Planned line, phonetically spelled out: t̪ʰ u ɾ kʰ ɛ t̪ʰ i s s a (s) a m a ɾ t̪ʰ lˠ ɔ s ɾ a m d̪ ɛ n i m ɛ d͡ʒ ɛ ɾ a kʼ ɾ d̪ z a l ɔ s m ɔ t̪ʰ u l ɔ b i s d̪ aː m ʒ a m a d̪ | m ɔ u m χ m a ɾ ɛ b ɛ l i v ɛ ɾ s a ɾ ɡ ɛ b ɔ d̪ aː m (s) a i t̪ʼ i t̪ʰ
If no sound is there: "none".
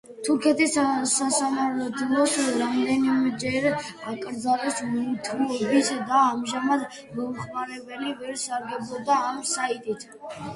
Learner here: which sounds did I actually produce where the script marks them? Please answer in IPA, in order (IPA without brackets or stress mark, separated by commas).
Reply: s, s